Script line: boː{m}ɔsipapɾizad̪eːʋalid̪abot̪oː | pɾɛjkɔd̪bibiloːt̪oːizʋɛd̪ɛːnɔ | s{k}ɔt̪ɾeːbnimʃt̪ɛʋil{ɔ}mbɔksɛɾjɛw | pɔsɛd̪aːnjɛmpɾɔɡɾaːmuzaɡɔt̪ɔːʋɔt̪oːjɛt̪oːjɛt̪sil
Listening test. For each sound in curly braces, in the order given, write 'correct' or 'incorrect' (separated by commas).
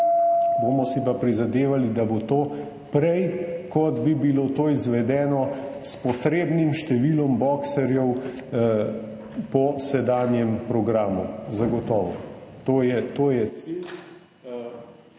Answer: correct, incorrect, correct